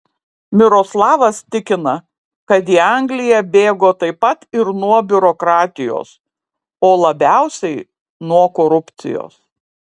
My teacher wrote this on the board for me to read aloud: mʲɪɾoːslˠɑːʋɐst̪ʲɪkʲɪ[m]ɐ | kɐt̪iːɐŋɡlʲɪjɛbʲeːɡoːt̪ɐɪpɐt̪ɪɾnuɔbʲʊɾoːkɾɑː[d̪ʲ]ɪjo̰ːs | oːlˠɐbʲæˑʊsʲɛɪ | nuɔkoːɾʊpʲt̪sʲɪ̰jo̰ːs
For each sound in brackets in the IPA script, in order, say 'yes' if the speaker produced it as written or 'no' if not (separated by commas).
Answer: no, no